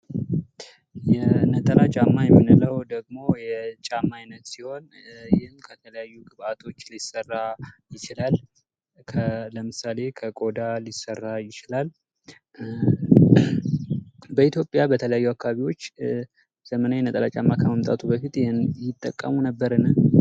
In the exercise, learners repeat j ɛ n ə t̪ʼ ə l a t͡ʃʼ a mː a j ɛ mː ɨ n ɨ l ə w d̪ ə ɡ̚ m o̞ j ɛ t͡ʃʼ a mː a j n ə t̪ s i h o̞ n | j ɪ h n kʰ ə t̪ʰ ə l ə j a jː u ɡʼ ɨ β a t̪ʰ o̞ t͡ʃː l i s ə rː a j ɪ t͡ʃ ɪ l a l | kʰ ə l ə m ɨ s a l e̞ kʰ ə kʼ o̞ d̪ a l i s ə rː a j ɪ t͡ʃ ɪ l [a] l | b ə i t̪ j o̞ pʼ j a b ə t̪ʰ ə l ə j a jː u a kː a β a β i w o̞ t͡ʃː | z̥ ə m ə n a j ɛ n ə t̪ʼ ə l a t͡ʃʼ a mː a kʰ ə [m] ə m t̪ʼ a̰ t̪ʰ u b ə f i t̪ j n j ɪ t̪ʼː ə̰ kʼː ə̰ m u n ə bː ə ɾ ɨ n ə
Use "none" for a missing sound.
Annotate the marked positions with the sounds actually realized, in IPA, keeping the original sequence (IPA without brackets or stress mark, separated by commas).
a, m